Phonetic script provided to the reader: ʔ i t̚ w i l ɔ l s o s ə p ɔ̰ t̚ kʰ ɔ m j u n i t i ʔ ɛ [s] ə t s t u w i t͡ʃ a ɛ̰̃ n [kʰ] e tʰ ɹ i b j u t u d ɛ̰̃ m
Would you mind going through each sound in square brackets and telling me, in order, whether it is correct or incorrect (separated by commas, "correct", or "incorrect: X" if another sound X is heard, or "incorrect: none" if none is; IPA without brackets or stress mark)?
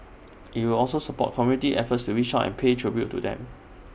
incorrect: f, incorrect: pʰ